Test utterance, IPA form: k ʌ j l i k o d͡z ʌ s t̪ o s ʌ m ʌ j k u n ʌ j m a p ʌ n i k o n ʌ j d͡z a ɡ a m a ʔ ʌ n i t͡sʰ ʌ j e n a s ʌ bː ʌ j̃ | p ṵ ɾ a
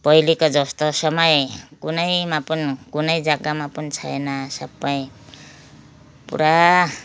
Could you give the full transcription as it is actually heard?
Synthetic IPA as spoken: p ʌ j l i k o d͡z ʌ s t̪ o s ʌ m ʌ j k u n ʌ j m a p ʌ n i k u n ʌ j d͡z a ɡ a m a p ʌ n i t͡sʰ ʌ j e n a s ʌ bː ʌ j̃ | p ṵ ɾ a